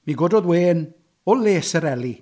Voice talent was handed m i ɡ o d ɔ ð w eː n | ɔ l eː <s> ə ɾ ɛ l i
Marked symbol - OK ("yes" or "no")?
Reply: yes